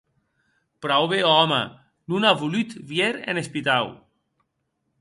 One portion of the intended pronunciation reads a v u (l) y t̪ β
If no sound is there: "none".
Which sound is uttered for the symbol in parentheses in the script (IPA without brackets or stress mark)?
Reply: l